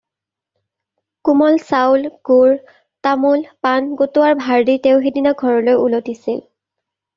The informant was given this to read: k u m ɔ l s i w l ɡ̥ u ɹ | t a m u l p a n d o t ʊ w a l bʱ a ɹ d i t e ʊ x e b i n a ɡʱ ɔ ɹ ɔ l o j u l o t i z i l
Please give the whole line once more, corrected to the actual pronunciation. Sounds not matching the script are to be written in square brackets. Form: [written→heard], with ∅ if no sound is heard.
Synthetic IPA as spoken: k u m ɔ l s [i→a] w l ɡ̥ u ɹ | t a m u l p a n [d→ɡ] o t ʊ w a [l→ɹ] bʱ a ɹ d i t e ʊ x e [b→d] i n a ɡʱ ɔ ɹ ɔ l o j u l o t i [z→s] i l